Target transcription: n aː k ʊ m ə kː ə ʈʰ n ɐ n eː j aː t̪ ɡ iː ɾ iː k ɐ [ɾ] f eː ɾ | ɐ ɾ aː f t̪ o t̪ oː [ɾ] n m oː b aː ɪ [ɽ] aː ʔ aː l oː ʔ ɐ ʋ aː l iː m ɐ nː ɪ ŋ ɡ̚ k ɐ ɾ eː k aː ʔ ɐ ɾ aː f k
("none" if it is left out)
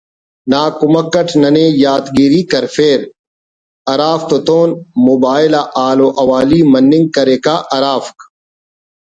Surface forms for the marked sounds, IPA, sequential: ɾ, none, l

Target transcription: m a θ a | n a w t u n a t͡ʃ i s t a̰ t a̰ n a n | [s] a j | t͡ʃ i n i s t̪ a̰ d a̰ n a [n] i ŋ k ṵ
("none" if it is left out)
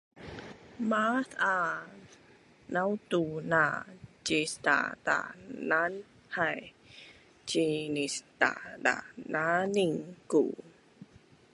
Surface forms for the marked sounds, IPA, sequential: h, n

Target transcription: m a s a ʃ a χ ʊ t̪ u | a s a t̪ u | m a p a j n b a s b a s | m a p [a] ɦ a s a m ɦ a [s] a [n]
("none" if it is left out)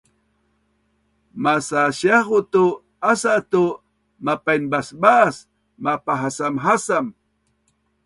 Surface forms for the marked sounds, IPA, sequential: a, s, m

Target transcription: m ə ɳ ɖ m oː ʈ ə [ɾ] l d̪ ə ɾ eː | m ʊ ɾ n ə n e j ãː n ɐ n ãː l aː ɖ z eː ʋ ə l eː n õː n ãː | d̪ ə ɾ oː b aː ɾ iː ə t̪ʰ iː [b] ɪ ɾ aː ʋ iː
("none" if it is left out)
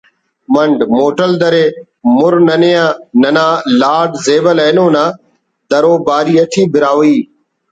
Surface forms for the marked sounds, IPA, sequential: none, b

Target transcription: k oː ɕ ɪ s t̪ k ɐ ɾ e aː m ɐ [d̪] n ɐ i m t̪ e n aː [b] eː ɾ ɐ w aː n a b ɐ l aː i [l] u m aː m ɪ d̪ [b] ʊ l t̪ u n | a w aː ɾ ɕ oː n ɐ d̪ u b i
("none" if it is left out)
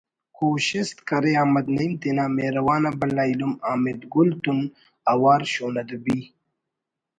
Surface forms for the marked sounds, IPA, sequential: d̪, m, l, ɡ

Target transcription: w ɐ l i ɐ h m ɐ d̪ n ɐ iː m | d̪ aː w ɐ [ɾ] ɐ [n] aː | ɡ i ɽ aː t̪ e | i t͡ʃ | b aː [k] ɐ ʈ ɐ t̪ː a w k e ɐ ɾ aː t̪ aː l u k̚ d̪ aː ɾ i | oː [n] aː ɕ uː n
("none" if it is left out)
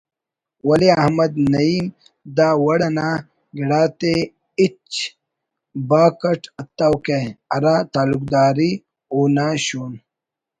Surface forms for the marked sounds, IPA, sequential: ɽ, n, k, n

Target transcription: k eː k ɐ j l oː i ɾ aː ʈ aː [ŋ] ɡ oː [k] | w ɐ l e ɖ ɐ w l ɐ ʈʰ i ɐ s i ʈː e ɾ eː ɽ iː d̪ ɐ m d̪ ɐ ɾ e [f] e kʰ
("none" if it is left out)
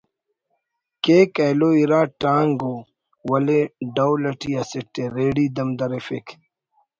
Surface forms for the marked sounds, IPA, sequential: ŋ, none, f

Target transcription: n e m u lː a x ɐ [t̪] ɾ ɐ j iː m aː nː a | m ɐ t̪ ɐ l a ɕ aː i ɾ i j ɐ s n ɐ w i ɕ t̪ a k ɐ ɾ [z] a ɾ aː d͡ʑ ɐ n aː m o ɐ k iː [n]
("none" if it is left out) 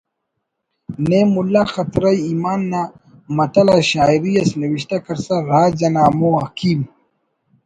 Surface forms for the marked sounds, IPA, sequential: t̪, s, m

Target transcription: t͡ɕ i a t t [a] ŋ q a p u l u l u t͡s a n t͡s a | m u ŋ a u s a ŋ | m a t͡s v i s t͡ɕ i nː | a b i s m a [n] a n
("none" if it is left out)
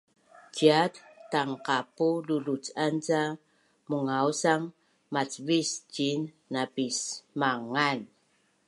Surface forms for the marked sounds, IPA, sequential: a, ŋ

